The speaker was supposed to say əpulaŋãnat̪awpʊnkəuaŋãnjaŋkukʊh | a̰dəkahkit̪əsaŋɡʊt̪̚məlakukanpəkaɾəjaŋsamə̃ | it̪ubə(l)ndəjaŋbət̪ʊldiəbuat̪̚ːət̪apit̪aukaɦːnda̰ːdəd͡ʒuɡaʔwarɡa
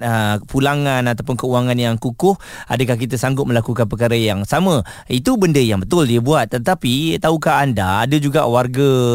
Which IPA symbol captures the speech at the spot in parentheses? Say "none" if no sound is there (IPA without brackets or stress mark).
none